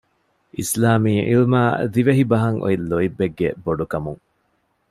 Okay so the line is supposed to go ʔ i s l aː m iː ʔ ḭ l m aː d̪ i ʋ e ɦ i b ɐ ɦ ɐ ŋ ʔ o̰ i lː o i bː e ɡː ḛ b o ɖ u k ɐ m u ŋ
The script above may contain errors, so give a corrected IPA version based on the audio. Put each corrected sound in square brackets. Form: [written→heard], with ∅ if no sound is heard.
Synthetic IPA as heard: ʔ i s l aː m iː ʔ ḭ l m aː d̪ i ʋ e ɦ i b ɐ ɦ ɐ ŋ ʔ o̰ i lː o i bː e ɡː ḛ b o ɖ u k ɐ m u ŋ